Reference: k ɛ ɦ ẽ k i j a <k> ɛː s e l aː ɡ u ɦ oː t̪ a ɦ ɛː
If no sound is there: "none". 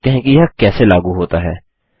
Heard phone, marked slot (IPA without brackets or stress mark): k